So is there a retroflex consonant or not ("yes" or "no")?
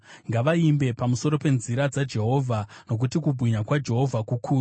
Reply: no